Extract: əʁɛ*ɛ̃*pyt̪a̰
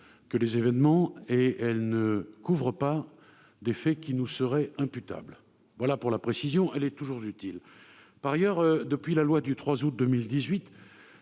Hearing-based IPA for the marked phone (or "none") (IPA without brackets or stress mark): ɛ̃